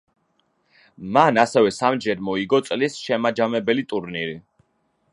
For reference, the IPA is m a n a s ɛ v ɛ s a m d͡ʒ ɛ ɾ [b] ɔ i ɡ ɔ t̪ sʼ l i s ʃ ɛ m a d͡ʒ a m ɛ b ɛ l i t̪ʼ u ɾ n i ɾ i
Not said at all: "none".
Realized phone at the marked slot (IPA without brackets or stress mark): m